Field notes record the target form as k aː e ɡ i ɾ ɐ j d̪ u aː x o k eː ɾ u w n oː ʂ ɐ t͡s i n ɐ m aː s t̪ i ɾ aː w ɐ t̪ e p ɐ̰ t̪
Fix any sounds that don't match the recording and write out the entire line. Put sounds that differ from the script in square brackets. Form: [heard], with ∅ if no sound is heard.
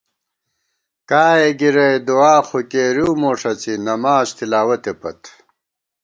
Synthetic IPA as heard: k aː e ɡ i ɾ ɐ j d̪ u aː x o k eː ɾ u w [m] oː ʂ ɐ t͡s i n ɐ m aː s t̪ i [l] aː w ɐ t̪ e p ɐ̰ t̪